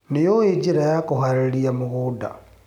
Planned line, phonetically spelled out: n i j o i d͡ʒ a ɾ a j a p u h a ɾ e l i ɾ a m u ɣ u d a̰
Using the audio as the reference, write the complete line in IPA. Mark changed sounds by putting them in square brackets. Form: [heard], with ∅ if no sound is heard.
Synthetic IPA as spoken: n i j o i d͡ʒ [i] ɾ a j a [k] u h a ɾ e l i [∅] a m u ɣ u d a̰